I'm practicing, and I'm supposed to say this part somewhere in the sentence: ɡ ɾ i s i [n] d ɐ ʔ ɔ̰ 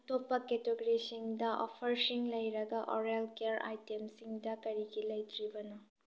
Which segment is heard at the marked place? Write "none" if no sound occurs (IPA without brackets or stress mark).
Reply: ŋ